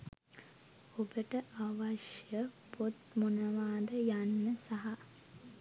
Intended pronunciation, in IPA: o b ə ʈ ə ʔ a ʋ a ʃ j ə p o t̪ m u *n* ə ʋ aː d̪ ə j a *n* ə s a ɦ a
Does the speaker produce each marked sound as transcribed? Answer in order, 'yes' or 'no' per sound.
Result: yes, no

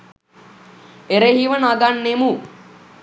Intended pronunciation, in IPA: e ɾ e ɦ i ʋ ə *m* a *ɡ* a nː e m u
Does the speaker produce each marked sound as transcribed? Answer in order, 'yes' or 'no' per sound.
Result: no, yes

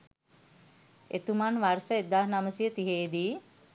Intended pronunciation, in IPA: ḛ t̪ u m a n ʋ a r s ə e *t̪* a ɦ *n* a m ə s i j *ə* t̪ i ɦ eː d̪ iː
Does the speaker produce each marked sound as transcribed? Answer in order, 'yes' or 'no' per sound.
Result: no, yes, yes

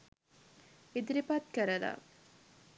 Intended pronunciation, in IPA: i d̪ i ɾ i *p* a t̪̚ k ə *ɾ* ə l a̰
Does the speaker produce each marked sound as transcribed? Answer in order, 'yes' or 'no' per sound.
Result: yes, yes

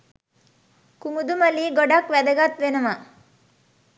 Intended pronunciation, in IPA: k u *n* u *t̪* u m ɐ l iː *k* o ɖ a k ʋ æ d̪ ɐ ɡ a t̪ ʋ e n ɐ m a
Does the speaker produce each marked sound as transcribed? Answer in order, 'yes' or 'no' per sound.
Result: no, no, no

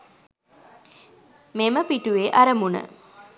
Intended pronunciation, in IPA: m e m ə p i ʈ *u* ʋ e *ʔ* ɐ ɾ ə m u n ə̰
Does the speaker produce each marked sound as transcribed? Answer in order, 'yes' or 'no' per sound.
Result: yes, yes

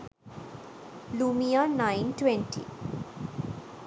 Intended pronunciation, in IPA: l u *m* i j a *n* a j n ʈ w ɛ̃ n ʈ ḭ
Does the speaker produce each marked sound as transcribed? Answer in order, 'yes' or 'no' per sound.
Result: yes, yes

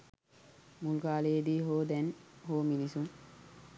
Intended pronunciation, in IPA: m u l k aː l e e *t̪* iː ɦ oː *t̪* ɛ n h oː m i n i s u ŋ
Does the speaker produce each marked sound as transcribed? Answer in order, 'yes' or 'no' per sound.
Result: no, no

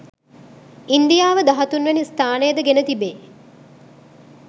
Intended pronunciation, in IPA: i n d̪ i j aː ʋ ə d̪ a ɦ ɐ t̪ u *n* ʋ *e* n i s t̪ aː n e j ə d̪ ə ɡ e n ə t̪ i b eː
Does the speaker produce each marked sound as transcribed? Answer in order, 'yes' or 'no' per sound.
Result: yes, yes

